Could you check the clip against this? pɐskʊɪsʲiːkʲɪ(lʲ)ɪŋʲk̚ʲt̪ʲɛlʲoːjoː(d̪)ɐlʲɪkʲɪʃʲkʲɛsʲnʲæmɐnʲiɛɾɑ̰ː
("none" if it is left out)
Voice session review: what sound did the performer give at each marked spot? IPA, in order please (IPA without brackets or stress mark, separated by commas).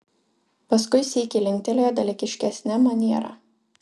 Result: lʲ, d̪